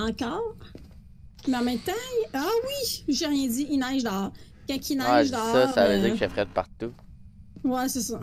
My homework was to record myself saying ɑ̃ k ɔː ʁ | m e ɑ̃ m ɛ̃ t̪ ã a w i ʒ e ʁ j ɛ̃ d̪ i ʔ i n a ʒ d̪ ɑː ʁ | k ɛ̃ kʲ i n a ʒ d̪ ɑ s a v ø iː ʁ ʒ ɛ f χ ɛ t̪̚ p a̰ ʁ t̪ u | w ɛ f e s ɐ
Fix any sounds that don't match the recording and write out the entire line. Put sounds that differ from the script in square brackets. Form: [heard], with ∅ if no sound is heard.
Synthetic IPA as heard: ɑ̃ k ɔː ʁ | m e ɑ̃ m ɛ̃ t̪ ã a w i ʒ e ʁ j ɛ̃ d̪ i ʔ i n a ʒ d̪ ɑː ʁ | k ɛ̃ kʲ i n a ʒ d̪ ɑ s a v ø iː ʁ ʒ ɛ f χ ɛ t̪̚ p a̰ ʁ t̪ u | w ɛ [s] e s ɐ